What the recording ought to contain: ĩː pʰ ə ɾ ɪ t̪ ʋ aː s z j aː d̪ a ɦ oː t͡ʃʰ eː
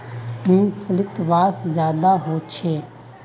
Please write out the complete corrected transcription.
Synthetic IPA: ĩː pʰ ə l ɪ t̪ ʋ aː s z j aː d̪ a ɦ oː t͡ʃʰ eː